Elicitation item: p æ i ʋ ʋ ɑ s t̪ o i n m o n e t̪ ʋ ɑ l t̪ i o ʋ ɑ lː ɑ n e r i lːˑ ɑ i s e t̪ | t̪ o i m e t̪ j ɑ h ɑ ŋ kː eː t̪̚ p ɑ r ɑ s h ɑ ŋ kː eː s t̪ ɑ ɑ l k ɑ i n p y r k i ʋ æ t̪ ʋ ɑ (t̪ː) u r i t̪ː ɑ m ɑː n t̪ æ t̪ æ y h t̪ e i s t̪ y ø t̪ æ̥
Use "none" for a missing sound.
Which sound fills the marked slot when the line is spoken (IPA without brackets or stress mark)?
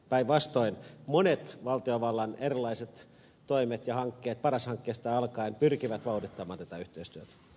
none